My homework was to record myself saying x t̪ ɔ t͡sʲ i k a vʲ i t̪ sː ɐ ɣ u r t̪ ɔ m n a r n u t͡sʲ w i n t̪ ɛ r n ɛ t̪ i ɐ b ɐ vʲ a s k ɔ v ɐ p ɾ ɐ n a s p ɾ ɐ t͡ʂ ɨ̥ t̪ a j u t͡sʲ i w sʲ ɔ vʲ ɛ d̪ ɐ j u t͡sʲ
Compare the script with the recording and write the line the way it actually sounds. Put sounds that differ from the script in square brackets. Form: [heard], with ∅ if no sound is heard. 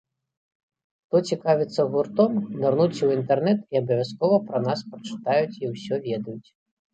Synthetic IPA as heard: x t̪ ɔ t͡sʲ i k a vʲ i t̪ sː ɐ ɣ u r t̪ ɔ m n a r n u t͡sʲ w i n t̪ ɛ r n ɛ t̪ i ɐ b ɐ vʲ a s k ɔ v ɐ p ɾ ɐ n a s p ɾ ɐ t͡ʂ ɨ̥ t̪ a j u t͡sʲ i w sʲ ɔ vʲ ɛ d̪ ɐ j u t͡sʲ